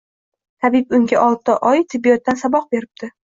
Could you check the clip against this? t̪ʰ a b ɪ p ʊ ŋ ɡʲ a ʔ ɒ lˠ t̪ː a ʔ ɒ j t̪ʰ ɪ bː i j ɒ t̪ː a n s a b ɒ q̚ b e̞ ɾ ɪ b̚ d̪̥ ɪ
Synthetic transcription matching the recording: t̪ʰ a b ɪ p ʊ ŋ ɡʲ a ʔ ɒ lˠ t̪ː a ʔ ɒ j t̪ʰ ɪ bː i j ɒ t̪ː a n s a b ɒ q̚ b e̞ ɾ ɪ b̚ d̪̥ ɪ